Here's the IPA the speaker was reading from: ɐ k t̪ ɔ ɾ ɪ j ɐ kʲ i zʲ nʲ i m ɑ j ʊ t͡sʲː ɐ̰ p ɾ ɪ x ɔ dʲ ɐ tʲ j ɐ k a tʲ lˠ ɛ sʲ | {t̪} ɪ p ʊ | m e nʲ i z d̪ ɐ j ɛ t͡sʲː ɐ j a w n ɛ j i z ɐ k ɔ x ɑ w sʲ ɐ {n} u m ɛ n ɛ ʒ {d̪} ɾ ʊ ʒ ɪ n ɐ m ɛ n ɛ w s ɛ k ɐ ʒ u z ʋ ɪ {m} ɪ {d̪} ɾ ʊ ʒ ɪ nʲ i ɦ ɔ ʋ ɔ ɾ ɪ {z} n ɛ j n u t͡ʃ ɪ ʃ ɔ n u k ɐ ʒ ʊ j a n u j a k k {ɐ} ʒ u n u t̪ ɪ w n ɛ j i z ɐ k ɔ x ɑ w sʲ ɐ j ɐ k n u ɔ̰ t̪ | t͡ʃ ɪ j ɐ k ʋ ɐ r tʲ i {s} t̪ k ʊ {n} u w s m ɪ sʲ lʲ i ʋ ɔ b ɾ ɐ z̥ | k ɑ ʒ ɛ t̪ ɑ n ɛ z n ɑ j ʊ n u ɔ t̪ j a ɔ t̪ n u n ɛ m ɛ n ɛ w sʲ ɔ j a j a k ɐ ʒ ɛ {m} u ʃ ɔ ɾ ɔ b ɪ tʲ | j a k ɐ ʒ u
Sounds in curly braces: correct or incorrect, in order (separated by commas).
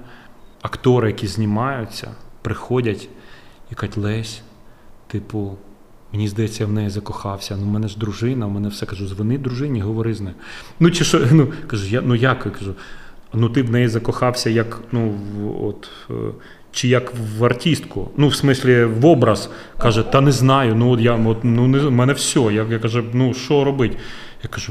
correct, correct, correct, incorrect, correct, correct, correct, correct, correct, incorrect